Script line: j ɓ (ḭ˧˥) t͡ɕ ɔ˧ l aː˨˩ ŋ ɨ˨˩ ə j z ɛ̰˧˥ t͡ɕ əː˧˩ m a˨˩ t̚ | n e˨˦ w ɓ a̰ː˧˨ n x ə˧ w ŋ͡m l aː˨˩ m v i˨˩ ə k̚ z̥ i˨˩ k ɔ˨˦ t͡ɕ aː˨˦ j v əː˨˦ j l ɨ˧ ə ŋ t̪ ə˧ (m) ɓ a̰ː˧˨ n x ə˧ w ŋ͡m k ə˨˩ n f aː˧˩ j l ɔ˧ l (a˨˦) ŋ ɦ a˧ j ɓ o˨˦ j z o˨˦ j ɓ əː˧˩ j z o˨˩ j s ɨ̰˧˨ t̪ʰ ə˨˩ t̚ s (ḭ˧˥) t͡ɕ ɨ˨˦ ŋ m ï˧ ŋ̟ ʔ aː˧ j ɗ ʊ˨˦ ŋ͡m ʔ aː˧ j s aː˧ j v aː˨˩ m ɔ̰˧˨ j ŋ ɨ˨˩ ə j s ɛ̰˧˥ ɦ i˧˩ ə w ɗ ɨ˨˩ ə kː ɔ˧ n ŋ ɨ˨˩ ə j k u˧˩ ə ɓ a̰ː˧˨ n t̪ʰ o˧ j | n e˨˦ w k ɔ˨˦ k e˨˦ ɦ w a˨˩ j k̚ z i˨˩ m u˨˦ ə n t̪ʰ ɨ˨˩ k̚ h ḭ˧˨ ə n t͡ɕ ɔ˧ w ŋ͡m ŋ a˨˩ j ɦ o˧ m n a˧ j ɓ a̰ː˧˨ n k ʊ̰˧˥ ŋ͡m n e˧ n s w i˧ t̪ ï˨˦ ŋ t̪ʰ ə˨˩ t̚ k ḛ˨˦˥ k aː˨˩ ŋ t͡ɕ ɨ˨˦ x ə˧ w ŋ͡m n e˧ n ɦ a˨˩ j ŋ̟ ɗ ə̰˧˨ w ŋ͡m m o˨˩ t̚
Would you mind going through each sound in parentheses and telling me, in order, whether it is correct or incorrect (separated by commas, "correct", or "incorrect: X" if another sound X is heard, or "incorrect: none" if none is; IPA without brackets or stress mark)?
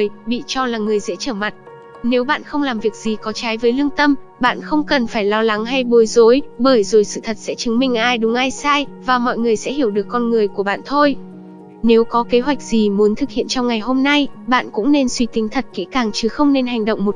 incorrect: ḭ˧˨, correct, correct, incorrect: ɛ̰˧˥